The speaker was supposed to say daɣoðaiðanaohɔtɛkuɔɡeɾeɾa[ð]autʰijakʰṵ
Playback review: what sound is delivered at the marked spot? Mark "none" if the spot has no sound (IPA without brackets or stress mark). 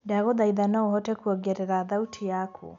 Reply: ð